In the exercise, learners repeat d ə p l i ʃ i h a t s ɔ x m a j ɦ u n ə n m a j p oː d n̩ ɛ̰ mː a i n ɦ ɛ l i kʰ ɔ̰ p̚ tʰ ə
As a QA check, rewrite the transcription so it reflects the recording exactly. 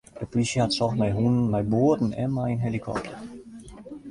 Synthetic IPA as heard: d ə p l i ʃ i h a t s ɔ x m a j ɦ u n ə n m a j b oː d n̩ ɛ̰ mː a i n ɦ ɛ l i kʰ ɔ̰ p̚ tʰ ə